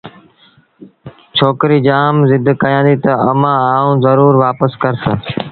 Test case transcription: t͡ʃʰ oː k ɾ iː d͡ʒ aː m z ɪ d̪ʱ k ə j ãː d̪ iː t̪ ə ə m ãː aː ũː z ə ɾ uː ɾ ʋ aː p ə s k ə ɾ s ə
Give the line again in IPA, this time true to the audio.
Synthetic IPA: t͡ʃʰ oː k ɾ iː d͡ʒ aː m z ɪ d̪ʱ k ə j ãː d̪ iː t̪ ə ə m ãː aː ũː z ə ɾ uː ɾ ʋ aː p ə s k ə ɾ s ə

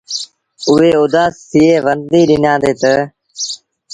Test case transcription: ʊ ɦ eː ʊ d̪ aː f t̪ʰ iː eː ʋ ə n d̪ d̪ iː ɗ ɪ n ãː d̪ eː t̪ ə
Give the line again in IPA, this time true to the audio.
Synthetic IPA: ʊ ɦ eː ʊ d̪ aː s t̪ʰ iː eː ʋ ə n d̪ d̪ iː ɗ ɪ n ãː d̪ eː t̪ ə

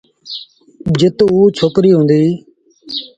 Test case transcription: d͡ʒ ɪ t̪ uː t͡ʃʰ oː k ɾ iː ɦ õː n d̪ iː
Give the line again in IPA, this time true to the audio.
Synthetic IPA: d͡ʒ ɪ t̪ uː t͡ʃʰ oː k ɾ iː ɦ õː n d̪ iː

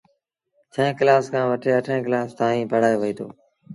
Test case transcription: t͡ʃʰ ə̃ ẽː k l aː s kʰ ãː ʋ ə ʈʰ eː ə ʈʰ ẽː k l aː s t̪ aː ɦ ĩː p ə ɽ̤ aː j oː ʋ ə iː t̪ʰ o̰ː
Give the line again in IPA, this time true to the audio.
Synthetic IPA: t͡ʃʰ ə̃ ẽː k l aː s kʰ ãː ʋ ə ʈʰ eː ə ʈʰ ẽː k l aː s t̪ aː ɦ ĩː p ə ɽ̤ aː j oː ʋ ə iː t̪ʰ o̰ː

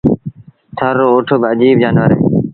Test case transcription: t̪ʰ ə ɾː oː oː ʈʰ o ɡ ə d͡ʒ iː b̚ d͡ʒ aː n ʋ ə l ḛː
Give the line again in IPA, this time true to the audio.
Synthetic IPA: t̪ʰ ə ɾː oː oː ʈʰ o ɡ ə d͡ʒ iː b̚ d͡ʒ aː n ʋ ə ɾ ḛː

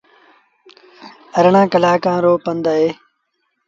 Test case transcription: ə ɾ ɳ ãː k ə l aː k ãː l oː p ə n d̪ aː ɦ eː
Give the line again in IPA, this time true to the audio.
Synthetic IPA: ə ɾ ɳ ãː k ə l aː k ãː ɾ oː p ə n d̪ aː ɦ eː

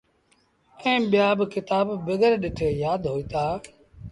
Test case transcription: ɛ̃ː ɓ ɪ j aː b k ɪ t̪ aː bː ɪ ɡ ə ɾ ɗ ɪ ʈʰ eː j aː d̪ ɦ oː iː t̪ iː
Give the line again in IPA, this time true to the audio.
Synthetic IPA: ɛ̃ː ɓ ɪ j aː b k ɪ t̪ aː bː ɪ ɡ ə ɾ ɗ ɪ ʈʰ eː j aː d̪ ɦ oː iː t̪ aː

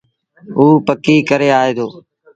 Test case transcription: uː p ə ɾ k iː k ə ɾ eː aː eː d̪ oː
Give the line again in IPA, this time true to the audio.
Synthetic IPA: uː p ə k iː k ə ɾ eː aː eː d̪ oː

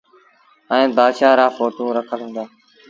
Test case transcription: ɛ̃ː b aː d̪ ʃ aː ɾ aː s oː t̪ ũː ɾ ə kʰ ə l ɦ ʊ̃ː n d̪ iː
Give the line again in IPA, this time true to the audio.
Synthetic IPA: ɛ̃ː b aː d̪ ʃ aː ɾ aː f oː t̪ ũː ɾ ə kʰ ə l ɦ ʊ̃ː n d̪ aː

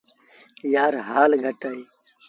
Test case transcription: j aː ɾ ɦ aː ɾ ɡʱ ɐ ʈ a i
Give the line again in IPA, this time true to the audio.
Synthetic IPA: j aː ɾ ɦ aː l ɡʱ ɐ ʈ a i

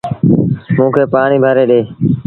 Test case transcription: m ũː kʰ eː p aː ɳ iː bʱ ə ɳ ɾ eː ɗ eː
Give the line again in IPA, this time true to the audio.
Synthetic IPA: m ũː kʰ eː p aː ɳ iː bʱ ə ɾ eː ɗ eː

